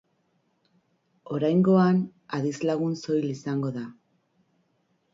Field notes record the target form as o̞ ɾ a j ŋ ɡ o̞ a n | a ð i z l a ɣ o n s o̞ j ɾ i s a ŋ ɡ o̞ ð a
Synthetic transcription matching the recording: o̞ ɾ a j ŋ ɡ o̞ a n | a ð i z l a ɣ u n s o̞ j l i s a ŋ ɡ o̞ ð a

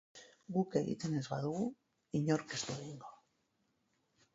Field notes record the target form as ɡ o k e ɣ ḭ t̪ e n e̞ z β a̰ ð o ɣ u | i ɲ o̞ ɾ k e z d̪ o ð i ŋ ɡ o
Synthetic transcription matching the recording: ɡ u k e ɣ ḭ t̪ e n e̞ z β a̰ ð u ɣ u | i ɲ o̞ ɾ k e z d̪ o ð i ŋ ɡ o

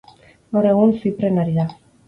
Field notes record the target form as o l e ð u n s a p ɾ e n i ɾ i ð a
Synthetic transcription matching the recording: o ɾ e ɣ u n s i p ɾ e n a ɾ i ð a

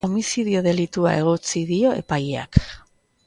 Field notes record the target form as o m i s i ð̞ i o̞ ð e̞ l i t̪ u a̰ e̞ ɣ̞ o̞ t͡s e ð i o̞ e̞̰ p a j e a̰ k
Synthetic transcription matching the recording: o m i s i ð̞ i o̞ ð e̞ l i t̪ u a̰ e̞ ɣ̞ o̞ t͡s i ð i o̞ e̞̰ p a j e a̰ k

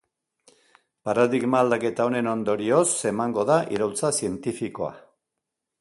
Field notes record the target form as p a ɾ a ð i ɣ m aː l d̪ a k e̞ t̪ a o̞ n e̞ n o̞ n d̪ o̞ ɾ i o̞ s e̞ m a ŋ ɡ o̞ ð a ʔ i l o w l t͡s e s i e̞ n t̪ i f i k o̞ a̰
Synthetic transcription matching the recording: p a ɾ a ð i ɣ m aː l d̪ a k e̞ t̪ a o̞ n e̞ n o̞ n d̪ o̞ ɾ i o̞ s e̞ m a ŋ ɡ o̞ ð a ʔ i ɾ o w l t͡s a s i e̞ n t̪ i f i k o̞ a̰

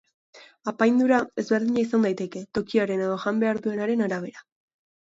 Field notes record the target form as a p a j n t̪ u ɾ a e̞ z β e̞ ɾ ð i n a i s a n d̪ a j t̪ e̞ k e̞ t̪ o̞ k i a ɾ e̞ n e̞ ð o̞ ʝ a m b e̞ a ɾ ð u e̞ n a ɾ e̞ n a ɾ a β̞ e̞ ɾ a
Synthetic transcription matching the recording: a p a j n d̪ u ɾ a e̞ z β e̞ ɾ ð i ɲ a i s a n d̪ a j t̪ e̞ k e̞ t̪ o̞ k i a ɾ e̞ n e̞ ð o̞ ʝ a m b e̞ a ɾ ð u e̞ n a ɾ e̞ n a ɾ a β̞ e̞ ɾ a

